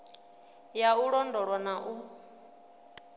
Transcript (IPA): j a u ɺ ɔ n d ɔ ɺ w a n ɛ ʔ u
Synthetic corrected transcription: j a u ɺ ɔ n d ɔ ɺ w a n a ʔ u